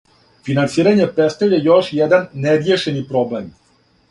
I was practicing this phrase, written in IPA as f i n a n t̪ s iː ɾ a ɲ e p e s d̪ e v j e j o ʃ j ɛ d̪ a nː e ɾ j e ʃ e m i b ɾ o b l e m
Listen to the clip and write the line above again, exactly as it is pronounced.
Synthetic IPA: f i n a n t̪ s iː ɾ a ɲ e p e s t̪ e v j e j o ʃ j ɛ d̪ a nː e ɾ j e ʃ e n i p ɾ o b l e m